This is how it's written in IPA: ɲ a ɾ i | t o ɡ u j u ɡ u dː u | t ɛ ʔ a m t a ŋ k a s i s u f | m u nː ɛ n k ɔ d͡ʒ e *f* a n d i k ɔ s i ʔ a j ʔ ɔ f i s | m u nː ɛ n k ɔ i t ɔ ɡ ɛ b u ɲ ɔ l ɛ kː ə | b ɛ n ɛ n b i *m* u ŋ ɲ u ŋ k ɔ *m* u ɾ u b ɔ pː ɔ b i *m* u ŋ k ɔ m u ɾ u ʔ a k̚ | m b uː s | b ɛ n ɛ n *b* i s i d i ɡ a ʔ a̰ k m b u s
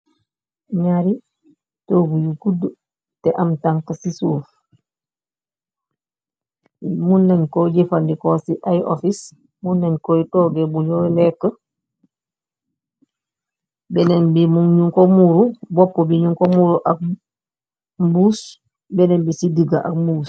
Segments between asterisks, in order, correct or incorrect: correct, correct, correct, incorrect: ɲ, correct

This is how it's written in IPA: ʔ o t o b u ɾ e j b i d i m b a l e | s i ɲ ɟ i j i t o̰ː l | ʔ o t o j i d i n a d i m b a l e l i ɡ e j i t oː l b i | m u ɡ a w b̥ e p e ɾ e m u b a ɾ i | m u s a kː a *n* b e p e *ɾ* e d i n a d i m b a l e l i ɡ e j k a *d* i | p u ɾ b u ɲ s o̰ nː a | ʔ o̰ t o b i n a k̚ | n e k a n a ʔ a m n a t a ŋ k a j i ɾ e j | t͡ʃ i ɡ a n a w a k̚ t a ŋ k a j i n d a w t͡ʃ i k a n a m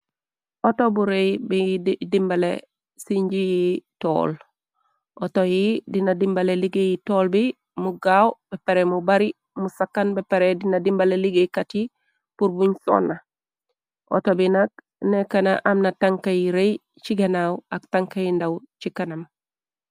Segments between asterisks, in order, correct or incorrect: correct, correct, incorrect: t

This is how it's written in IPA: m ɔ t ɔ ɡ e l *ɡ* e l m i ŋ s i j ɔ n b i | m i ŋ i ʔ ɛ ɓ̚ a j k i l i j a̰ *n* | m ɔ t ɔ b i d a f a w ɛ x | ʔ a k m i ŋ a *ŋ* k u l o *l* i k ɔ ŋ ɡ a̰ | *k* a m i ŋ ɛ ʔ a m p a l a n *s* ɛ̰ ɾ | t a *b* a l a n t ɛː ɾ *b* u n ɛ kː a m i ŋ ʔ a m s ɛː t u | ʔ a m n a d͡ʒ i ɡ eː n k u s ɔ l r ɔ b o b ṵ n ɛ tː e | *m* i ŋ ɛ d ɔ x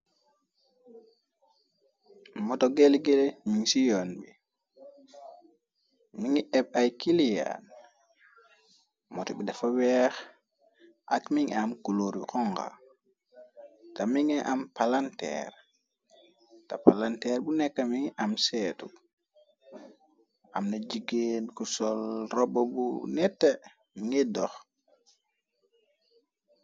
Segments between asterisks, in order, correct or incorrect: correct, correct, incorrect: m, incorrect: ɾ, incorrect: t, incorrect: t, incorrect: p, correct, correct

